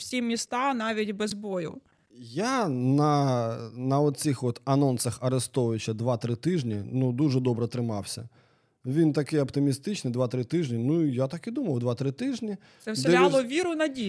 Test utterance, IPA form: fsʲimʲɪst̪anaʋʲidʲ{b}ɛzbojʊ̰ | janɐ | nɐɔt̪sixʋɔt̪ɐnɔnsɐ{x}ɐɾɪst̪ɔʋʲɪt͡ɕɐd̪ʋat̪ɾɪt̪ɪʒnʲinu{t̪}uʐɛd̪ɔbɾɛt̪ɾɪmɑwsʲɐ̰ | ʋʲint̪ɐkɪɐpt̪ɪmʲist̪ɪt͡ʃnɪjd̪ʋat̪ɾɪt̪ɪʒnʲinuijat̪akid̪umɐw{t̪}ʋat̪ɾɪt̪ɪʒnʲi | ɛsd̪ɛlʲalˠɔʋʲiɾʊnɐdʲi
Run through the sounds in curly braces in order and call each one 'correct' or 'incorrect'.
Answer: correct, correct, incorrect, incorrect

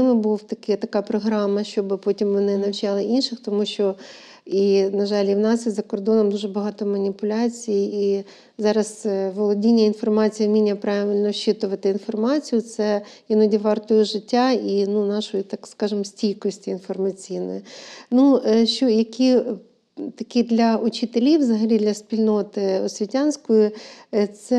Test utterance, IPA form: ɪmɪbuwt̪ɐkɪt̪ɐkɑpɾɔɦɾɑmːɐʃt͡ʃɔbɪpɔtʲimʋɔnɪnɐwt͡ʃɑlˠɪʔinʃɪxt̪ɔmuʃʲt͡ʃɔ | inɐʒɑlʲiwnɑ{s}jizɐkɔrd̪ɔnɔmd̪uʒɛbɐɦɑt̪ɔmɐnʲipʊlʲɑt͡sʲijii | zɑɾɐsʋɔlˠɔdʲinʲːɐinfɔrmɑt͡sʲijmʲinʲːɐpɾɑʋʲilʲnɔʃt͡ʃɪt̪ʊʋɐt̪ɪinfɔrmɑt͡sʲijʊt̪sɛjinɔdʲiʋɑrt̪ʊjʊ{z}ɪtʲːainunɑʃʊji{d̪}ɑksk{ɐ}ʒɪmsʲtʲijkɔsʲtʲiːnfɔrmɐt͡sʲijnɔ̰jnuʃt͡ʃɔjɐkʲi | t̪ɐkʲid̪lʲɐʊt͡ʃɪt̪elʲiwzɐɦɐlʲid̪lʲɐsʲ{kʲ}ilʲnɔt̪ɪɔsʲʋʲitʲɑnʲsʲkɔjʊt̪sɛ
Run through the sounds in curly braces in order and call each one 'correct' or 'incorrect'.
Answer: correct, incorrect, incorrect, incorrect, incorrect

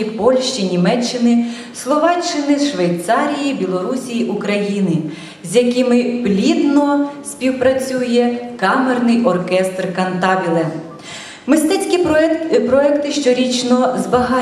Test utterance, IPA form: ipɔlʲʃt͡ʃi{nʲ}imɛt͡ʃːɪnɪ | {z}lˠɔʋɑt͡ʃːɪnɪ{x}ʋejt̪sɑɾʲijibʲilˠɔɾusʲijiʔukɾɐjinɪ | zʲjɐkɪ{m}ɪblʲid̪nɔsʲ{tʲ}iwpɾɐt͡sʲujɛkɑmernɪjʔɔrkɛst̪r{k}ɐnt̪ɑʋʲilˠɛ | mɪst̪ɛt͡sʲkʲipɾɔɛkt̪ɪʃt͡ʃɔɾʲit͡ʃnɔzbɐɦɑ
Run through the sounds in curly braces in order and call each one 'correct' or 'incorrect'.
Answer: correct, incorrect, incorrect, correct, incorrect, correct

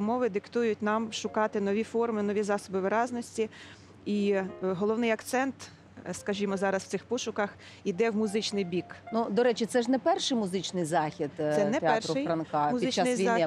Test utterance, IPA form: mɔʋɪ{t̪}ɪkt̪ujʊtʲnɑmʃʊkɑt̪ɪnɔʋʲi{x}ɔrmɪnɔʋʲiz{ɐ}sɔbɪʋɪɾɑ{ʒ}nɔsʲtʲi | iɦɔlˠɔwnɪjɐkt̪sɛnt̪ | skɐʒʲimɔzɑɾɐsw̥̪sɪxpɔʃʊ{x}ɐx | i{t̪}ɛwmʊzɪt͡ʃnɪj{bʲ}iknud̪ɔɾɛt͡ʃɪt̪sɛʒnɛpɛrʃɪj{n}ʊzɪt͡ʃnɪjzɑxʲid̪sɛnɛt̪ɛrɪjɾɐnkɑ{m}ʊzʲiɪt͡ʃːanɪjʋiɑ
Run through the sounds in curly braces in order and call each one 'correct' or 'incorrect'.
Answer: incorrect, incorrect, incorrect, incorrect, incorrect, incorrect, correct, incorrect, correct

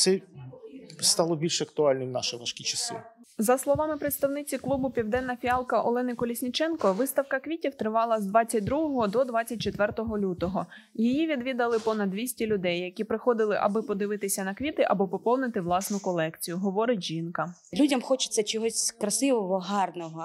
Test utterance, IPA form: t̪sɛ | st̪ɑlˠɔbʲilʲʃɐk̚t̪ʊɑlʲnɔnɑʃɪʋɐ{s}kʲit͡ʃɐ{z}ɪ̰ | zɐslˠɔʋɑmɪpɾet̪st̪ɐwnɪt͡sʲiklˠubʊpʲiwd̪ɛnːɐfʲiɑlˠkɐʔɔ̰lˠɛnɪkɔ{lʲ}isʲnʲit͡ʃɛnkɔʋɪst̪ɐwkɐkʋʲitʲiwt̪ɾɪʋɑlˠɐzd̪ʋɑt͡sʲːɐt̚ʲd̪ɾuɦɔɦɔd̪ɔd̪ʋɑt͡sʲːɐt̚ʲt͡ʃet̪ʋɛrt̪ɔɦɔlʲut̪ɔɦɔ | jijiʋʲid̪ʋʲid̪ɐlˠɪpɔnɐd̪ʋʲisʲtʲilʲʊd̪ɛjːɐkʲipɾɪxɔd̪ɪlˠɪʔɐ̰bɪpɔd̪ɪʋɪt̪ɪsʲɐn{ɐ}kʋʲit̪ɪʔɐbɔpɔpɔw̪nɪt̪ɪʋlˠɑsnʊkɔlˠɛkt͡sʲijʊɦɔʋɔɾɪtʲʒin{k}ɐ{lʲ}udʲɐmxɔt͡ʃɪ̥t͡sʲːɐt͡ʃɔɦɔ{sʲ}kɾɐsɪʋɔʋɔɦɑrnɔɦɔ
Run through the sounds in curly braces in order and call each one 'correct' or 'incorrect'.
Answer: incorrect, incorrect, correct, correct, correct, correct, correct

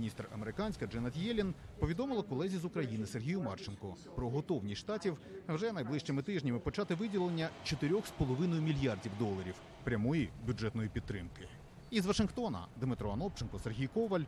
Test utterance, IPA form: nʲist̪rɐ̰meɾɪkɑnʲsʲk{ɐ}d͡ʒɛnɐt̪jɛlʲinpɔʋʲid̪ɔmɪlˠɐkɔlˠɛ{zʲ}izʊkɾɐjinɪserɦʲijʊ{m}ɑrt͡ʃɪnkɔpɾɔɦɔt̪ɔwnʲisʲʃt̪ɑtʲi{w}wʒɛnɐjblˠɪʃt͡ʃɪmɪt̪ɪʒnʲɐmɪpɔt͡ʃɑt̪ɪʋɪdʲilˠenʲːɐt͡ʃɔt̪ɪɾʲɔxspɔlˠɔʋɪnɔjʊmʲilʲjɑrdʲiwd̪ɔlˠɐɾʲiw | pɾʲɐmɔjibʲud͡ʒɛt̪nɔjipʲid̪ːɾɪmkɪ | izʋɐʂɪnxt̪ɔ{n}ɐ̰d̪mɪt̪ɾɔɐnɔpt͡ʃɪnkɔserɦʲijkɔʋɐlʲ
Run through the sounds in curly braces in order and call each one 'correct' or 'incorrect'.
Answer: correct, correct, correct, correct, correct

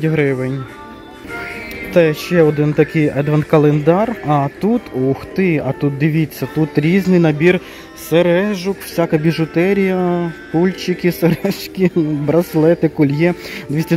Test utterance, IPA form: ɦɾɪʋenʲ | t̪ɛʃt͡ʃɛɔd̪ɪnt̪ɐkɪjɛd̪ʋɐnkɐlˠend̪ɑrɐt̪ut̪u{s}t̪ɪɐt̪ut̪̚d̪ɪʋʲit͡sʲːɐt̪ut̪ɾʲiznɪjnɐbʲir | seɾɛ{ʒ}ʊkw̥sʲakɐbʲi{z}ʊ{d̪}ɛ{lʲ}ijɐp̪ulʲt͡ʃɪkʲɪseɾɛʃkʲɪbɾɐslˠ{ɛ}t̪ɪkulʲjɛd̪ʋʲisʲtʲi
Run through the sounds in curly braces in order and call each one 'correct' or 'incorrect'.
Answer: incorrect, correct, incorrect, incorrect, incorrect, correct

